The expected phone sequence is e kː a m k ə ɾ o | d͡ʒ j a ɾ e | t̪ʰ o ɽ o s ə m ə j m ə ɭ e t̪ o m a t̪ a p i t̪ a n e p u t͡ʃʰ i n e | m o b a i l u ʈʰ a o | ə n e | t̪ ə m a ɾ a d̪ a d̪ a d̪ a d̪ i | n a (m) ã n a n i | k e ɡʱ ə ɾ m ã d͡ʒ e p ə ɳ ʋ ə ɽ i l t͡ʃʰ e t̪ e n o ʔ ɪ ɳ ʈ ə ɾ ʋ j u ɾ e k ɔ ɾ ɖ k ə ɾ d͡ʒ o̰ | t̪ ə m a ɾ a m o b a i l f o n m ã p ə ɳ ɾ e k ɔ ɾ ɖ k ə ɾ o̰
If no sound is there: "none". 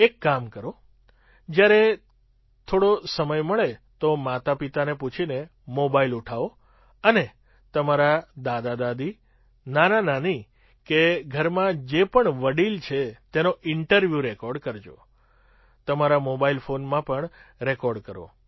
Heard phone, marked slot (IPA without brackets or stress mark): n